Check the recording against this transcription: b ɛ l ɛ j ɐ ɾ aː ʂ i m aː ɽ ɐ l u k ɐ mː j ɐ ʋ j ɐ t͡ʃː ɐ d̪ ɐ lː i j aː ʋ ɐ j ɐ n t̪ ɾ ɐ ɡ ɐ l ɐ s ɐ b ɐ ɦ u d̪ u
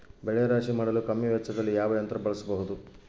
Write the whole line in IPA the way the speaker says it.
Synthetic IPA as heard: b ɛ ɭ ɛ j ɐ ɾ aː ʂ i m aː ɽ ɐ l u k ɐ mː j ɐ ʋ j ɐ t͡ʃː ɐ d̪ ɐ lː i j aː ʋ ɐ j ɐ n t̪ ɾ ɐ b ɐ ɭ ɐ s ɐ b ɐ ɦ u d̪ u

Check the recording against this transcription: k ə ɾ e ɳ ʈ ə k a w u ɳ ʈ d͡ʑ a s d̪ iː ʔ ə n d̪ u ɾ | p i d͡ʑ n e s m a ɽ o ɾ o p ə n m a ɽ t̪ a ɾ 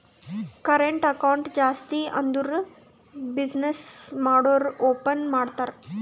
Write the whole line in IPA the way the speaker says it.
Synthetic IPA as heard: k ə ɾ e ɳ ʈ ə k a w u ɳ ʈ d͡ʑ a s t̪ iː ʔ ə n d̪ u ɾ | b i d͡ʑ n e s m a ɽ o ɾ o p ə n m a ɽ t̪ a ɾ

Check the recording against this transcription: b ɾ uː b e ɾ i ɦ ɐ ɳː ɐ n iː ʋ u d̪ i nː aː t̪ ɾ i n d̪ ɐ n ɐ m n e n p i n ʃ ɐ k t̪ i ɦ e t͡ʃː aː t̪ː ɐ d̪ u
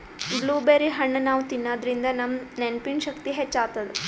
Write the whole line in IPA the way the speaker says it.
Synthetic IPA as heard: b l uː b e ɾ i ɦ ɐ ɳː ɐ n aː ʋ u t̪ i nː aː d̪ ɾ i n d̪ ɐ n ɐ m n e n p i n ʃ ɐ k t̪ i ɦ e t͡ʃː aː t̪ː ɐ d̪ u

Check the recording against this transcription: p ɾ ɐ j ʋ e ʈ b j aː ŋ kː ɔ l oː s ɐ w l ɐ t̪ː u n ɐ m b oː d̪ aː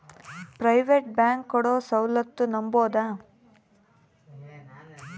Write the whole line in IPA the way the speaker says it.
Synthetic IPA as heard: p ɾ ɐ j ʋ e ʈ b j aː ŋ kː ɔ ɽ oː s ɐ w l ɐ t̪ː u n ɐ m b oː d̪ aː

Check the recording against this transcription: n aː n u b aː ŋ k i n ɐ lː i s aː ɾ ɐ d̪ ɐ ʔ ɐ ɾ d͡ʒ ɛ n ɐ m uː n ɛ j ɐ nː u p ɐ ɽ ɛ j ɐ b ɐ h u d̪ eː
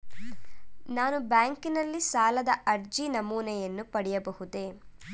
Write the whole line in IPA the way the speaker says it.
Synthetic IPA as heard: n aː n u b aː ŋ k i n ɐ lː i s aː l ɐ d̪ ɐ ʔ ɐ ɾ d͡ʒ i n ɐ m uː n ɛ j ɐ nː u p ɐ ɽ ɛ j ɐ b ɐ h u d̪ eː

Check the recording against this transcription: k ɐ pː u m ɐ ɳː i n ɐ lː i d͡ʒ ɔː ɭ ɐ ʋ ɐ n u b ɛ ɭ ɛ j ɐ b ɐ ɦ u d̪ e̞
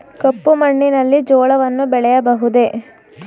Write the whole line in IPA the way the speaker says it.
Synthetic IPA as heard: k ɐ pː u m ɐ ɳː i n ɐ lː i d͡ʒ ɔː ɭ ɐ ʋ ɐ nː u b ɛ ɭ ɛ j ɐ b ɐ ɦ u d̪ e̞

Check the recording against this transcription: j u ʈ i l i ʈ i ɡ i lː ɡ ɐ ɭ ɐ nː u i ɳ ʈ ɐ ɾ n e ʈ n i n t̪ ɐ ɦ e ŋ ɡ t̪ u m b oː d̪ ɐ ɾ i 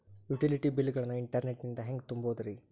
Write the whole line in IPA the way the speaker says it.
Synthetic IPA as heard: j u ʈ i l i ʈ i b i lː ɡ ɐ ɭ ɐ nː u i ɳ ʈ ɐ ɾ n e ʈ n i n d̪ ɐ ɦ e ŋ ɡ t̪ u m b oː d̪ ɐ ɾ i

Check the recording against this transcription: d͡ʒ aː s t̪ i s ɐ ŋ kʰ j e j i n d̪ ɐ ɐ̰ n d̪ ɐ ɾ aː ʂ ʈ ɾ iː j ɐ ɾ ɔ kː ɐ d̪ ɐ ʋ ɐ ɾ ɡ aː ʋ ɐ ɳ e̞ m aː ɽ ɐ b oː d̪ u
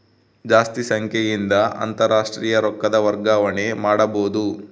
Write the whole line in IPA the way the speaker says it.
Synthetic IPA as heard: d͡ʒ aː s t̪ i s ɐ ŋ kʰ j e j i n d̪ ɐ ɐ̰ n t̪ ɐ ɾ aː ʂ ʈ ɾ iː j ɐ ɾ ɔ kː ɐ d̪ ɐ ʋ ɐ ɾ ɡ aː ʋ ɐ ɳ e̞ m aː ɽ ɐ b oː d̪ u

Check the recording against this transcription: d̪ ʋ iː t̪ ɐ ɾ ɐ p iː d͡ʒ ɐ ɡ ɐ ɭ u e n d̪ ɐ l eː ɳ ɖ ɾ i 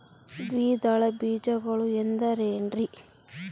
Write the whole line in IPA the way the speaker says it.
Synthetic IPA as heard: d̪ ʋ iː d̪ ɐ ɭ ɐ b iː d͡ʒ ɐ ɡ ɐ ɭ u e n d̪ ɐ ɾ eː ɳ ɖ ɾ i

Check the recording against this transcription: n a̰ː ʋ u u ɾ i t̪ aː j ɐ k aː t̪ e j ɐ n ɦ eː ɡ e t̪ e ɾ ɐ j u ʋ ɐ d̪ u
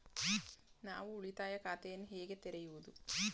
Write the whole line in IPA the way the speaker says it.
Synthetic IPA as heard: n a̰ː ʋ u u ɭ i t̪ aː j ɐ k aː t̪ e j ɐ n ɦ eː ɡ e t̪ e ɾ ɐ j u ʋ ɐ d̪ u

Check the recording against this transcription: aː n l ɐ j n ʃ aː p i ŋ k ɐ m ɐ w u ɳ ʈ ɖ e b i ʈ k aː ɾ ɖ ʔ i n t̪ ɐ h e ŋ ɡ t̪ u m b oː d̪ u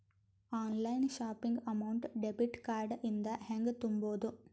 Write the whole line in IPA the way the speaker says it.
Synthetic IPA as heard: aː n l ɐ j n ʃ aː p i ŋ ɡ ɐ m ɐ w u ɳ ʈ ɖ e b i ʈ k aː ɾ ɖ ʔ i n d̪ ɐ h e ŋ ɡ t̪ u m b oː d̪ u

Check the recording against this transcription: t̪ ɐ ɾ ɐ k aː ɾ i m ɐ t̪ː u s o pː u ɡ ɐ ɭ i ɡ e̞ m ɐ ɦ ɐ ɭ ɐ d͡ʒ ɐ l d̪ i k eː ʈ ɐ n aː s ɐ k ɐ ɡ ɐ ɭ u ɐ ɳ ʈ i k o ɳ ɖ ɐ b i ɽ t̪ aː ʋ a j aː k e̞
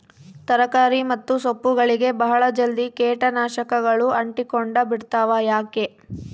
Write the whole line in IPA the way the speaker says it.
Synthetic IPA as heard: t̪ ɐ ɾ ɐ k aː ɾ i m ɐ t̪ː u s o pː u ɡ ɐ ɭ i ɡ e̞ b ɐ ɦ ɐ ɭ ɐ d͡ʒ ɐ l d̪ i k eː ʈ ɐ n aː ʃ ɐ k ɐ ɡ ɐ ɭ u ɐ ɳ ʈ i k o ɳ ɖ ɐ b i ɽ t̪ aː ʋ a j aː k e̞

